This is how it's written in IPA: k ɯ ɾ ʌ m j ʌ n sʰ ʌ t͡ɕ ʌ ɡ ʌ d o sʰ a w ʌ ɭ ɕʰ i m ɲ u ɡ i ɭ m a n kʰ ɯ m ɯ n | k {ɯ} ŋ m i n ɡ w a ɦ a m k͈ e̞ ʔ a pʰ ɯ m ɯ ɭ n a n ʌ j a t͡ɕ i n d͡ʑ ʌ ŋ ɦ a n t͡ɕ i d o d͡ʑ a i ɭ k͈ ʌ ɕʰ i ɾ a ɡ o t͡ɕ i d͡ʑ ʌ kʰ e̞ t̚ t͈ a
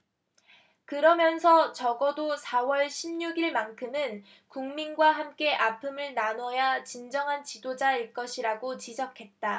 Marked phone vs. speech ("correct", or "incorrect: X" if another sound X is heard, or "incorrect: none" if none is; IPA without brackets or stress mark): incorrect: u